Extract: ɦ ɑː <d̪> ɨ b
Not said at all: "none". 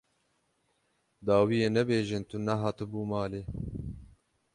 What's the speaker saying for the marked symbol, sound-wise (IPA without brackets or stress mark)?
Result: t̪